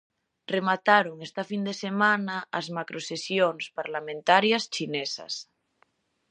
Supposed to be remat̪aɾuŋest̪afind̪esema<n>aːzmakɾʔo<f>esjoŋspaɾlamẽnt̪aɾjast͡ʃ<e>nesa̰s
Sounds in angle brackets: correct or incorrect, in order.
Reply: correct, incorrect, incorrect

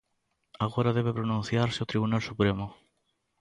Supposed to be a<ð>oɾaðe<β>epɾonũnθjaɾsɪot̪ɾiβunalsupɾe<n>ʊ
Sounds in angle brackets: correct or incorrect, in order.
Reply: incorrect, correct, incorrect

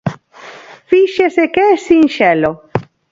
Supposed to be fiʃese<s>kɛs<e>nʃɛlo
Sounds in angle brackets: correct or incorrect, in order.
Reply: incorrect, incorrect

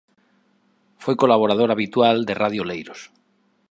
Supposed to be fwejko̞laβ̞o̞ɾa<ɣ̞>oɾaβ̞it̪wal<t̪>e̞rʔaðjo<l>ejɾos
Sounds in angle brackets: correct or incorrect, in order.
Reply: incorrect, incorrect, correct

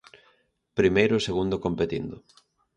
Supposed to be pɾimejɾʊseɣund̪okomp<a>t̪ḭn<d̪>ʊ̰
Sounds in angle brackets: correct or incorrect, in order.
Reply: incorrect, correct

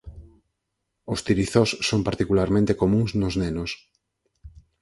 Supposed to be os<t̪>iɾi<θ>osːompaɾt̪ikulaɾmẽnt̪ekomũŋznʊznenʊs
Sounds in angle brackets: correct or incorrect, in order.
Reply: correct, correct

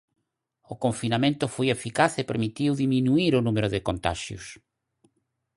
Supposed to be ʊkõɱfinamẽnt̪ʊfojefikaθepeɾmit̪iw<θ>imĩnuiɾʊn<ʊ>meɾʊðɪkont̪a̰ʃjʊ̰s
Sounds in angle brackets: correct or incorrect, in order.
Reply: incorrect, incorrect

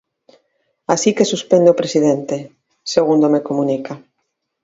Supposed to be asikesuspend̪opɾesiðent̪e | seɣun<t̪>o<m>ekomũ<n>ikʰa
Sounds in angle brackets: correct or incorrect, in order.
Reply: incorrect, correct, correct

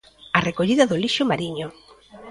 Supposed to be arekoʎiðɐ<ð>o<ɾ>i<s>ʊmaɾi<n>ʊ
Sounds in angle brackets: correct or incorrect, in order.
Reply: correct, incorrect, incorrect, incorrect

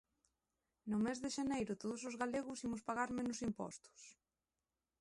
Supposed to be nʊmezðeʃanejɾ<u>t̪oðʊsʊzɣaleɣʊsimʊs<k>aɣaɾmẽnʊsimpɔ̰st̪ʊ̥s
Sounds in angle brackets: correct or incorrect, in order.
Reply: incorrect, incorrect

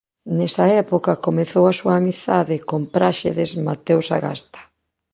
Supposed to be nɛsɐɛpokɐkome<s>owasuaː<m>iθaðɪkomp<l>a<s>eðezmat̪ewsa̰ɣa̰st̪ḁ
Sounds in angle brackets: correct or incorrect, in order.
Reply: incorrect, correct, incorrect, incorrect

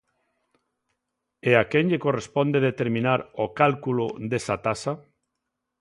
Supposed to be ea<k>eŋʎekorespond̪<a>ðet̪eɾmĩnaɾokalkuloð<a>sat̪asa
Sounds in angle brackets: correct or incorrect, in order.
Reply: correct, incorrect, incorrect

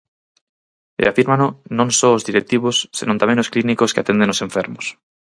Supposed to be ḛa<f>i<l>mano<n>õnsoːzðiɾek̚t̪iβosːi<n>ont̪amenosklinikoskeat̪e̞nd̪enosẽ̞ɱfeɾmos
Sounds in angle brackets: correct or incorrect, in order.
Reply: correct, incorrect, correct, correct

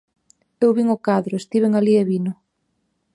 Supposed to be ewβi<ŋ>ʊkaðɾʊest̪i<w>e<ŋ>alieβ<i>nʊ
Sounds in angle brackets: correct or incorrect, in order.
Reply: correct, incorrect, correct, correct

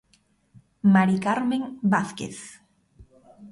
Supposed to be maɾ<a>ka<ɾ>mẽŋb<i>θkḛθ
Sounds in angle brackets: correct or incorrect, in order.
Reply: incorrect, correct, incorrect

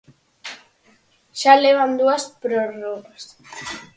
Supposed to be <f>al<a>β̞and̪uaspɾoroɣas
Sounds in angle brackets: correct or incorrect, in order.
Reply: incorrect, incorrect

